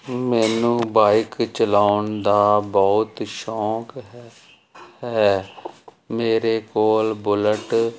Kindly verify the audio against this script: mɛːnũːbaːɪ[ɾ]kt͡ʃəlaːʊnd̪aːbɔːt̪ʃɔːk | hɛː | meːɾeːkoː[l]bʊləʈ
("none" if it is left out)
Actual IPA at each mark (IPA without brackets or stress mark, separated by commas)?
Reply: none, l